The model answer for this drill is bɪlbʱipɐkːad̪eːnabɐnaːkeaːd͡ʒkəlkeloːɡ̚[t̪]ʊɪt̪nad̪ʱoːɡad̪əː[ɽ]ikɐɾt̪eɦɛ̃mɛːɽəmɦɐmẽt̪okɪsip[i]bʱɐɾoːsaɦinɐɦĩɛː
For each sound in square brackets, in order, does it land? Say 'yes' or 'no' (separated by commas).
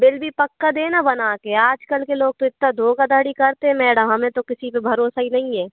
yes, yes, no